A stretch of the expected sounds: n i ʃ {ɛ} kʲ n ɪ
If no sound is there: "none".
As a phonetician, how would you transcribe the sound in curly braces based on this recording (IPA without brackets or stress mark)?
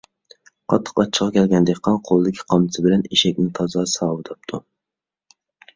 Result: ɛ